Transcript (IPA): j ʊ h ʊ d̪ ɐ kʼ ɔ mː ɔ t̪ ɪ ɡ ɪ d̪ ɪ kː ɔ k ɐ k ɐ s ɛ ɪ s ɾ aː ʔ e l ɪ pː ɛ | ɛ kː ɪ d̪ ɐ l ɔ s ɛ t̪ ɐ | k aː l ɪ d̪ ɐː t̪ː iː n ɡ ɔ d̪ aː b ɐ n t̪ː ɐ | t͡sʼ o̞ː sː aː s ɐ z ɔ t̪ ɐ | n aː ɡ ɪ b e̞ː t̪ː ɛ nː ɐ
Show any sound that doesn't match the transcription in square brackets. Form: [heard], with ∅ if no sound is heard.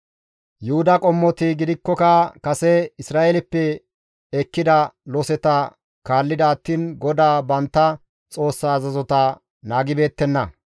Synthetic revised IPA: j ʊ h ʊ d̪ ɐ kʼ ɔ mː ɔ t̪ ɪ ɡ ɪ d̪ ɪ kː ɔ k ɐ k ɐ s ɛ ɪ s ɾ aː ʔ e l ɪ pː ɛ | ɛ kː ɪ d̪ ɐ l ɔ s ɛ t̪ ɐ | k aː [lː] ɪ d̪ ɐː t̪ː iː n ɡ ɔ d̪ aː b ɐ n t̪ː ɐ | t͡sʼ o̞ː sː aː [z] ɐ z ɔ t̪ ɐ | n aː ɡ ɪ b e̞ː t̪ː ɛ nː ɐ